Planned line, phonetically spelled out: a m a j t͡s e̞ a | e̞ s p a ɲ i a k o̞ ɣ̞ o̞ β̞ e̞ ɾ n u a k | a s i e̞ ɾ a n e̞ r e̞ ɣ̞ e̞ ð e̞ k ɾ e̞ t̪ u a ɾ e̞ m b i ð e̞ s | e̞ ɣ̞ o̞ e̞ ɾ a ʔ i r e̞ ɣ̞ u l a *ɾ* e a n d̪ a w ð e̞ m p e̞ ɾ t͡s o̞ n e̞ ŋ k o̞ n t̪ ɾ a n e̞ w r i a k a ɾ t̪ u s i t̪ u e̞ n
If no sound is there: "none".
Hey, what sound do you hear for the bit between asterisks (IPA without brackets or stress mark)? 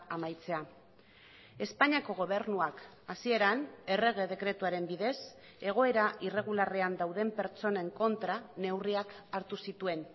r